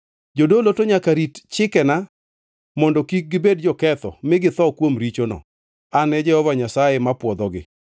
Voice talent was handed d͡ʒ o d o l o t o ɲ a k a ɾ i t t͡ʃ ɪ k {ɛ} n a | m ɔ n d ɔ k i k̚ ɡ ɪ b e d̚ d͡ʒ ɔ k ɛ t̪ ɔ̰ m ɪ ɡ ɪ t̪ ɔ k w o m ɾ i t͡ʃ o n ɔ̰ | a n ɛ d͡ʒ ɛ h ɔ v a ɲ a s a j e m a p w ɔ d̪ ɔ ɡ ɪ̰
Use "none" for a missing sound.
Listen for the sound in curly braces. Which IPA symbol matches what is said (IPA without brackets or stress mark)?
ɛ